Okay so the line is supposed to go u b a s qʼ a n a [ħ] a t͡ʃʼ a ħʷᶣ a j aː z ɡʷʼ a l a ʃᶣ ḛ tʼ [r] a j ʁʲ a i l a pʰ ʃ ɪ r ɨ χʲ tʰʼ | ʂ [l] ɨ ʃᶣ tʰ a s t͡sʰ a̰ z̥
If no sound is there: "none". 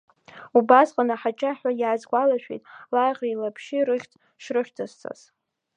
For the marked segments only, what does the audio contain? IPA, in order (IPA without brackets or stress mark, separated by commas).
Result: ħ, l, r